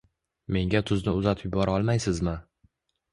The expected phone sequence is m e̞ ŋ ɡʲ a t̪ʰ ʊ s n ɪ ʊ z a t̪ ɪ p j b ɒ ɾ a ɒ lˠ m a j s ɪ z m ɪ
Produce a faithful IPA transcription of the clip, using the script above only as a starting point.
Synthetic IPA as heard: m e̞ ŋ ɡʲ a t̪ʰ ʊ z n ɪ ʊ z a t̪ʰ ɪ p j b ɒ ɾ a ɒ lˠ m a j s ɪ z m ɪ